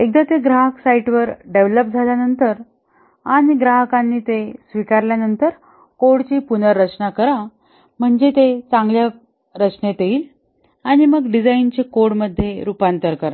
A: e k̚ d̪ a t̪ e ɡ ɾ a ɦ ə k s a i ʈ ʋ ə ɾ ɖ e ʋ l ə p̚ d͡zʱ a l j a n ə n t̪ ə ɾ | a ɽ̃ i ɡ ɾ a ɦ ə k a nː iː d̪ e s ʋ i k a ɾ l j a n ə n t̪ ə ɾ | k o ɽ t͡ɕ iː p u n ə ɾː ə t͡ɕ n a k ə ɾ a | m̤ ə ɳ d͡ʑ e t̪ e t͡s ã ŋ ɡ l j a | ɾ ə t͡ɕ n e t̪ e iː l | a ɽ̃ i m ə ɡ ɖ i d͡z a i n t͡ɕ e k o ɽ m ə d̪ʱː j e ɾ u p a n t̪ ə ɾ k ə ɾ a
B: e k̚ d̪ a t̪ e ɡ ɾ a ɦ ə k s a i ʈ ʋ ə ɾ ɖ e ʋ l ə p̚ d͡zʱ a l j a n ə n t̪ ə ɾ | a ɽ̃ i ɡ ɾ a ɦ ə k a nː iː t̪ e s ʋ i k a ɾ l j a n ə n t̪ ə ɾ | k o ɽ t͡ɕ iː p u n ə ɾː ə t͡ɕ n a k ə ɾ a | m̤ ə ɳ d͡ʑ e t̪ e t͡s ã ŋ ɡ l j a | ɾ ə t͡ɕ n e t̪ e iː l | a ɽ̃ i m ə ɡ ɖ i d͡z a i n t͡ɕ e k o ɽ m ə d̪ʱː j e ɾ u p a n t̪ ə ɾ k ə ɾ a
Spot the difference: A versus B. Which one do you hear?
B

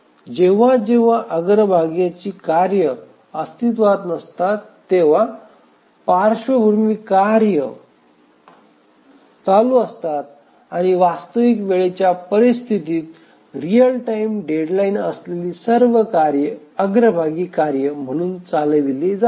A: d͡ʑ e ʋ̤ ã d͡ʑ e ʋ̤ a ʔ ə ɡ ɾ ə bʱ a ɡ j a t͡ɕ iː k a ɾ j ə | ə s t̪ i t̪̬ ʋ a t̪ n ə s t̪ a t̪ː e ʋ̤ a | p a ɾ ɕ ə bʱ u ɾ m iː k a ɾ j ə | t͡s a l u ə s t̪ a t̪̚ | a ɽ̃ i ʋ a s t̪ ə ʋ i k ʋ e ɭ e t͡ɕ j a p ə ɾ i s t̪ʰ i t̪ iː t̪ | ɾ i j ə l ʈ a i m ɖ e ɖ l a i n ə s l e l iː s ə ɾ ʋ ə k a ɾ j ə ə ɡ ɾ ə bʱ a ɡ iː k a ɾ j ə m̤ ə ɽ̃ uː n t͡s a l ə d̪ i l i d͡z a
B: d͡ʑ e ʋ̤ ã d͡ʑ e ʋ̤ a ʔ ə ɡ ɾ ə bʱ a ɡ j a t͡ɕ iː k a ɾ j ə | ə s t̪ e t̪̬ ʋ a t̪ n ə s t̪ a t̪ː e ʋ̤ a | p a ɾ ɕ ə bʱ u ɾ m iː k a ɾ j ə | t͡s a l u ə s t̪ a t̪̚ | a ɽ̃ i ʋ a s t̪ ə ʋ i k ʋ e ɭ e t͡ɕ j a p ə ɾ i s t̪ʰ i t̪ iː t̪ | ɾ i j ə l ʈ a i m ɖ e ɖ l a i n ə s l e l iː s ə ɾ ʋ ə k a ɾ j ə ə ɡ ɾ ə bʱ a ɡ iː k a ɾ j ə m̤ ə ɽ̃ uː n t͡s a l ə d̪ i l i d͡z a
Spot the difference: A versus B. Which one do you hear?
A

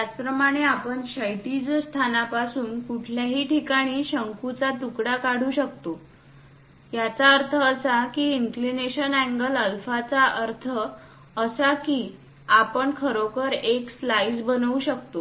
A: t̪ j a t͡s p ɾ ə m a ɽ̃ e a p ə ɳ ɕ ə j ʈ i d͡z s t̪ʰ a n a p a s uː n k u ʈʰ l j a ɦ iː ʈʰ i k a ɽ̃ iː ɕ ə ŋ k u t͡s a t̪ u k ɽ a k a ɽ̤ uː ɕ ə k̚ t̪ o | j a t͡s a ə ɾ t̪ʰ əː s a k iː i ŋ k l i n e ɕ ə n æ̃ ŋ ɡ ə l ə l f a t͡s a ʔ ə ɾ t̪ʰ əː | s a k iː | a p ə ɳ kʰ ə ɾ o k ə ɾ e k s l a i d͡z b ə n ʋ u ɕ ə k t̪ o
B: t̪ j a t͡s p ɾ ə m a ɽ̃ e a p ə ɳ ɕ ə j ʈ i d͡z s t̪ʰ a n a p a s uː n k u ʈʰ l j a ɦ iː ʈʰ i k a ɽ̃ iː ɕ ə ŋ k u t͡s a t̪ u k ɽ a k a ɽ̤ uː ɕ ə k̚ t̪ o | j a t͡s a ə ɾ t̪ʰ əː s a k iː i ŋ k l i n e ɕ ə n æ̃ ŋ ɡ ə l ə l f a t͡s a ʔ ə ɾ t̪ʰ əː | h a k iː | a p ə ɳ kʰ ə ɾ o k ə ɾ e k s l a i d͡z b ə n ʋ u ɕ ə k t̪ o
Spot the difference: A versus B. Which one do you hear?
A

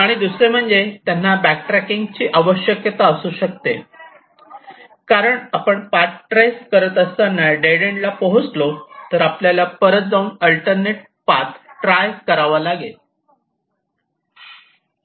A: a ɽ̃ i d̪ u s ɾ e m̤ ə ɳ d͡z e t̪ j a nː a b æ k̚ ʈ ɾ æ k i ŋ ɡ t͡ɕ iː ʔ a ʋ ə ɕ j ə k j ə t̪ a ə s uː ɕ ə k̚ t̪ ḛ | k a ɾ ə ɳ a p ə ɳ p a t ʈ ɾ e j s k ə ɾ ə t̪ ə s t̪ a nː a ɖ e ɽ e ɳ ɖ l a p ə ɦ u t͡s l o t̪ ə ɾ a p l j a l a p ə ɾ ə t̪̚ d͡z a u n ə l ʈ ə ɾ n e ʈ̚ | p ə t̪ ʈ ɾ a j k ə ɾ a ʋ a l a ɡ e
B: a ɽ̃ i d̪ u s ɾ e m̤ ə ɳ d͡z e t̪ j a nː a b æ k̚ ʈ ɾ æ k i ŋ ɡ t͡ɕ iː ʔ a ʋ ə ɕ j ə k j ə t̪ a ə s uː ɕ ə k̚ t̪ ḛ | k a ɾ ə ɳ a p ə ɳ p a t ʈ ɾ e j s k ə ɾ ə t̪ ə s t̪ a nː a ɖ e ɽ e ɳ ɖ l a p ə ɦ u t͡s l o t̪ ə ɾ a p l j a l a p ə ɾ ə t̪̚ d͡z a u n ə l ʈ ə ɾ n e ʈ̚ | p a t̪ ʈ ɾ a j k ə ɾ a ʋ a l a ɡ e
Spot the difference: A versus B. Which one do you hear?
B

